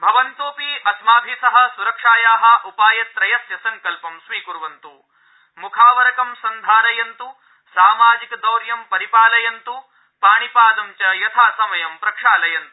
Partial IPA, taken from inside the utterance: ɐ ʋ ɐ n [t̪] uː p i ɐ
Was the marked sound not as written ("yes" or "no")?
no